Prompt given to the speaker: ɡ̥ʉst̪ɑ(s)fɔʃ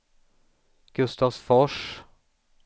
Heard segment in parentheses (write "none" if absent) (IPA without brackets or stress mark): s